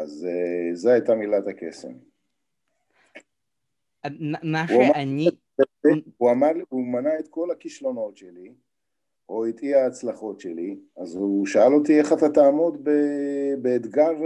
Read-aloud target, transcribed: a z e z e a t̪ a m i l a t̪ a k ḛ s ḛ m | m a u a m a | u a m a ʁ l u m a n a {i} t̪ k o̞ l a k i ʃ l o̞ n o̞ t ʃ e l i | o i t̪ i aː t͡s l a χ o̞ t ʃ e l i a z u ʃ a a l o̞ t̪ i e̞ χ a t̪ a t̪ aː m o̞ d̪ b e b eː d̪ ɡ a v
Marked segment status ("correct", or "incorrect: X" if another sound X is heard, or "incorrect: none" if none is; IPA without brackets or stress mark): incorrect: e